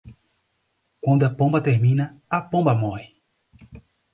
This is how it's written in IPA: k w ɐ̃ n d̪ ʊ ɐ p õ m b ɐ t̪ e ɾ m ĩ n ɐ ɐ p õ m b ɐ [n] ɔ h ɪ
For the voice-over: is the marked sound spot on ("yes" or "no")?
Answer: no